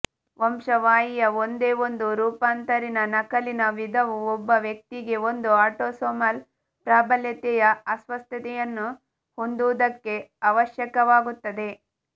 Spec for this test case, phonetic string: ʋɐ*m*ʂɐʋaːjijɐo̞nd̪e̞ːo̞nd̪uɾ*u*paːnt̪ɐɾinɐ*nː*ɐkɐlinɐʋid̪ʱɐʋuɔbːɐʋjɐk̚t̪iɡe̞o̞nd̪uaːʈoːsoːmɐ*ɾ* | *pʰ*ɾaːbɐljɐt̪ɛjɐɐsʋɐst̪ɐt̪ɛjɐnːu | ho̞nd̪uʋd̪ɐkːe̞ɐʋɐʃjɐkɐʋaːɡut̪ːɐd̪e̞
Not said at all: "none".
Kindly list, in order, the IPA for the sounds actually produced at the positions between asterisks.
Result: m, uː, n, l, p

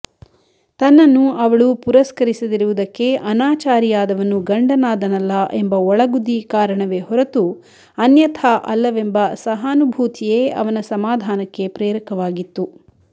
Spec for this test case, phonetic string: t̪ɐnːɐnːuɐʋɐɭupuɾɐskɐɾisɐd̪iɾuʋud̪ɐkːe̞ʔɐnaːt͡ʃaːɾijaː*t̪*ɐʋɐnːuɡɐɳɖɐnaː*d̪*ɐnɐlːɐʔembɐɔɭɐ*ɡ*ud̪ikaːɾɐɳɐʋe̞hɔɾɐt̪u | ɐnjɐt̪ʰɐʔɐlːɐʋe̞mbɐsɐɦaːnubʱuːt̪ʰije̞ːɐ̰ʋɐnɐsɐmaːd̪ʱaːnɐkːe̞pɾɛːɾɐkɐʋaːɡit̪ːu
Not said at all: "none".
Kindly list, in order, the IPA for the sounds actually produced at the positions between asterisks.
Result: d̪, d̪, ɡ

